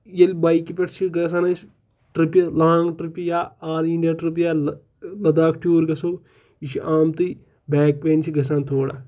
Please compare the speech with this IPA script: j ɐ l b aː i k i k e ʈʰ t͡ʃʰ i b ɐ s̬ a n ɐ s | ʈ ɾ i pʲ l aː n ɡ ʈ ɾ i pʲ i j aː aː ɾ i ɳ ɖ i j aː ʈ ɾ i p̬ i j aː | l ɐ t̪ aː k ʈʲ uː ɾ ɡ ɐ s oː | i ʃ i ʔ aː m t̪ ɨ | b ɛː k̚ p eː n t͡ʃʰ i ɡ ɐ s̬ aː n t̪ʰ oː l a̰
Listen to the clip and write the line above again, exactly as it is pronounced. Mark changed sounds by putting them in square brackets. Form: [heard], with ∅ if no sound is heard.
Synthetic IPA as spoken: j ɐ l b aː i k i [p] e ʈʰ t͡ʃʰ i [ɡ] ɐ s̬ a n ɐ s | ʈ ɾ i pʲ l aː [ŋ] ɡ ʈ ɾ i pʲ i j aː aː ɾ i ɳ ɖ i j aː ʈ ɾ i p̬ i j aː | l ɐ [d̪] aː k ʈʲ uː ɾ ɡ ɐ s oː | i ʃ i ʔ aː m t̪ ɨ | b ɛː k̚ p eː n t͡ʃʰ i ɡ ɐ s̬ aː n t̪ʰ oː [ɽ] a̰